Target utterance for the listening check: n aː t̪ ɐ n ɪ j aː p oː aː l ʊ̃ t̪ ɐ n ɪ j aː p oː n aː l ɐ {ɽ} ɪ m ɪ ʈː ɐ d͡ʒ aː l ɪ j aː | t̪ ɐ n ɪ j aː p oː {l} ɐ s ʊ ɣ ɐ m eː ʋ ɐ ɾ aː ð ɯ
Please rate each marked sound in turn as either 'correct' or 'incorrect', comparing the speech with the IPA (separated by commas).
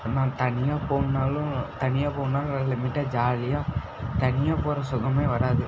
incorrect, incorrect